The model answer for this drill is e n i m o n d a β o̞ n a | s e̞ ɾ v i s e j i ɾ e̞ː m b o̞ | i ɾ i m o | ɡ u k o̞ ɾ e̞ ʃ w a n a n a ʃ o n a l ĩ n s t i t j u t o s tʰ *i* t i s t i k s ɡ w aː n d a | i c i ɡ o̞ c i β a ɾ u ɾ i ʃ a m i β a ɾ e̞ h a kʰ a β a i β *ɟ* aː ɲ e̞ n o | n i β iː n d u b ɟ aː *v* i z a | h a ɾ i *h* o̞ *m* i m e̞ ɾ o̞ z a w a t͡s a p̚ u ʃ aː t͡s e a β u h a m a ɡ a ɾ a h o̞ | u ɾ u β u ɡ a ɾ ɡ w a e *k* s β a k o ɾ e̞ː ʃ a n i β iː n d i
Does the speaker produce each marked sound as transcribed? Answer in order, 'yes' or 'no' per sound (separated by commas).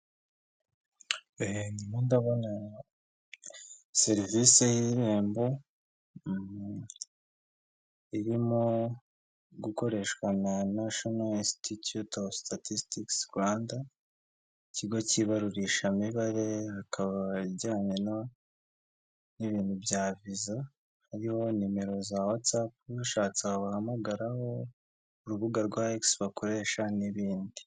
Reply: no, yes, yes, yes, no, yes